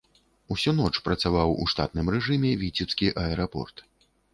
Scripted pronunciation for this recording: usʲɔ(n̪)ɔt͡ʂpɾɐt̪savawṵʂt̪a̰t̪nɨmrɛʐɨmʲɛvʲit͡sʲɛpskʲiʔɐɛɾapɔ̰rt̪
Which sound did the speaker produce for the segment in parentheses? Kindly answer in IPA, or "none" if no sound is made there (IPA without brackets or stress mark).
n̪